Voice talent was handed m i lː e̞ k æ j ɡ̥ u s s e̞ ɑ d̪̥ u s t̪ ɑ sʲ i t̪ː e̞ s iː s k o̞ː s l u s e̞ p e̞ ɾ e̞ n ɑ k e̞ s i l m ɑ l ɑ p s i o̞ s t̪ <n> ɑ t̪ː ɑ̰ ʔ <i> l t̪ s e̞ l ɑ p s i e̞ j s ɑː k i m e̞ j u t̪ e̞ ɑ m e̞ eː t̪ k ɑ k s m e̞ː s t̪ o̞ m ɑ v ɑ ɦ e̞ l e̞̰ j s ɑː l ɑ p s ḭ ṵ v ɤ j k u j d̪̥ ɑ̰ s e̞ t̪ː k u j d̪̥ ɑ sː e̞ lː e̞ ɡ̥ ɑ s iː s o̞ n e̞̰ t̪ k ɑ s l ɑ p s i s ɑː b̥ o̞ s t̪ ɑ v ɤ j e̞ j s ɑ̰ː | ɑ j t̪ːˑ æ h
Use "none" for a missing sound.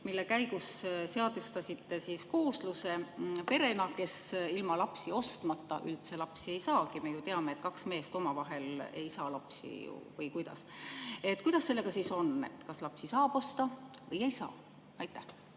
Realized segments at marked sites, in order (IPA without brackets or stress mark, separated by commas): m, y